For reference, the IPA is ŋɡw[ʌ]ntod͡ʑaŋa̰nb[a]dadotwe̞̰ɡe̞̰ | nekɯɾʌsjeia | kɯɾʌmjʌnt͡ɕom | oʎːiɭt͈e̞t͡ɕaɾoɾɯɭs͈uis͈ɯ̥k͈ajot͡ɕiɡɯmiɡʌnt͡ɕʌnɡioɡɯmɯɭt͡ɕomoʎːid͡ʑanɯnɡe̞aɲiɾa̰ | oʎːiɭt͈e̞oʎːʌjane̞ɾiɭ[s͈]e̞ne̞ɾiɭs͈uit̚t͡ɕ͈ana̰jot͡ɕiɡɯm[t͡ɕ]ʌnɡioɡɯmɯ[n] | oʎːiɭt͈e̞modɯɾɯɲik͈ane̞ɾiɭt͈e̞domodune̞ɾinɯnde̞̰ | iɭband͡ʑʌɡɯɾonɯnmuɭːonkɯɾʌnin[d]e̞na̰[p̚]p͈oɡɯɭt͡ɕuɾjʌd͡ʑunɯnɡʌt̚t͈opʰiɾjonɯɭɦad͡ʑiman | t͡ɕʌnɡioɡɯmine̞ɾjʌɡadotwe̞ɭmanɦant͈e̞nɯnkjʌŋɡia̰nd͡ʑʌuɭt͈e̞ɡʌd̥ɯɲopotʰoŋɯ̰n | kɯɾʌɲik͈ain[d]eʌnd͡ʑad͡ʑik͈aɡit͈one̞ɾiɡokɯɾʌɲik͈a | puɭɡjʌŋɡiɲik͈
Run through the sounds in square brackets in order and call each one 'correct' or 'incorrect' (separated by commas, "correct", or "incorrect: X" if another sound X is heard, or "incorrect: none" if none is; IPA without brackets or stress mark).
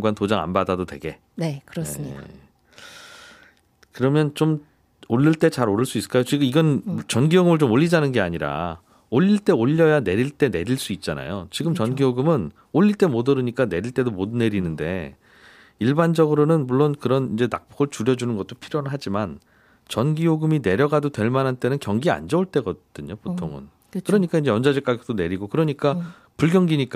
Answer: incorrect: a, correct, incorrect: t͈, correct, correct, incorrect: d͡ʑ, incorrect: k̚, incorrect: d͡ʑ